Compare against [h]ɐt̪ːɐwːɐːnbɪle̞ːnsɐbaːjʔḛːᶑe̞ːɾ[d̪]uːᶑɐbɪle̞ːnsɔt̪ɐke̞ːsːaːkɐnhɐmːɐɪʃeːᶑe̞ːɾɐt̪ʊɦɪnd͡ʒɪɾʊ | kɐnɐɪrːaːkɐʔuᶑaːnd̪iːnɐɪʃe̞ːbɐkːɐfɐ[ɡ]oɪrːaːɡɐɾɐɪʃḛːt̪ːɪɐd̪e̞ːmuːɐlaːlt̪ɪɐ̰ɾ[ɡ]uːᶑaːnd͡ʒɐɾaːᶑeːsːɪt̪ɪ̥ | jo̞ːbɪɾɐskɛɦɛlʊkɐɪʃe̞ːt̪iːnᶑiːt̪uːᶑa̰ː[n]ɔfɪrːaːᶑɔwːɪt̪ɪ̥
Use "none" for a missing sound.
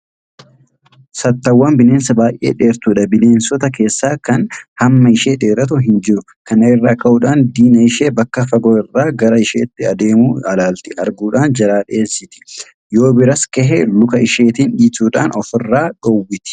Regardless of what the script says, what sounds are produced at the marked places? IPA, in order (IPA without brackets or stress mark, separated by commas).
s, t̪, ɡ, ɡ, n